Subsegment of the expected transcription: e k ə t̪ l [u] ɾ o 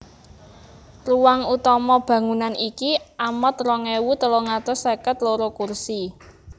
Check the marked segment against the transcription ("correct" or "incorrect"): incorrect